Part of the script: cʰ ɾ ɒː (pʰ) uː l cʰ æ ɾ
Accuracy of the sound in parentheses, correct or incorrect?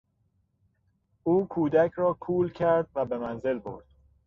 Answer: incorrect: kʰ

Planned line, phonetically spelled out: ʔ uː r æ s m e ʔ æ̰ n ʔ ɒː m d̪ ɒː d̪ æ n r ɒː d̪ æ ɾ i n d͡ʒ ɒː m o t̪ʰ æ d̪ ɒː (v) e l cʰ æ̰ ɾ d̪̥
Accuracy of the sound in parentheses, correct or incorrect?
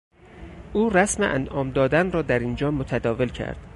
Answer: correct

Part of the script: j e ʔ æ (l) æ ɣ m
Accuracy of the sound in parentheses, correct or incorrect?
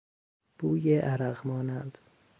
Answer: incorrect: ɾ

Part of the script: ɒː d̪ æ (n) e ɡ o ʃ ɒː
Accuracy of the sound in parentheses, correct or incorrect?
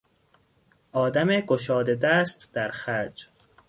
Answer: incorrect: m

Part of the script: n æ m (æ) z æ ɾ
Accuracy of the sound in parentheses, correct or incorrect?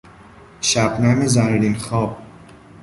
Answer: incorrect: i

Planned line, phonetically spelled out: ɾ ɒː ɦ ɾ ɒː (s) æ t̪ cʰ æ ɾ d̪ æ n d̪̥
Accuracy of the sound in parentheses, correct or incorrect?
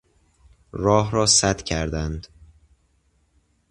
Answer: correct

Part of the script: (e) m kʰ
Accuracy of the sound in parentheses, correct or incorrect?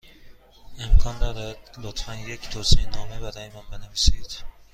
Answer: correct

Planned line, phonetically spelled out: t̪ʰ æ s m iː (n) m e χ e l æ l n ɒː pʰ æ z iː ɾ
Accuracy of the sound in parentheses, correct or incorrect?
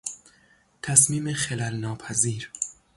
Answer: incorrect: none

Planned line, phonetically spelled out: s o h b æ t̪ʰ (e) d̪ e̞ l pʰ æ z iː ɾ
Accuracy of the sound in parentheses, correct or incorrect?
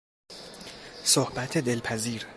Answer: correct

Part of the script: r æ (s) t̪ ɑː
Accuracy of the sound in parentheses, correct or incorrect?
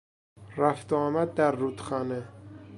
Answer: incorrect: f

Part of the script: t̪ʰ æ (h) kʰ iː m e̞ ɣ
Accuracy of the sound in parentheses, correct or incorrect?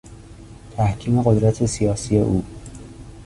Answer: correct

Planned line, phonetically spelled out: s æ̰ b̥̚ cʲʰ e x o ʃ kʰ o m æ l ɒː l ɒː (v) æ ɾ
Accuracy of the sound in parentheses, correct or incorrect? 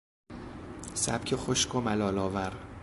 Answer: correct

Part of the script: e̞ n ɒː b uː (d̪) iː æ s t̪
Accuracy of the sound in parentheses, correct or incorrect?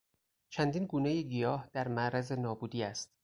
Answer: correct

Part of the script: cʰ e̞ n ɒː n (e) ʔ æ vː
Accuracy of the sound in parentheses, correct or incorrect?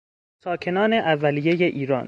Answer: correct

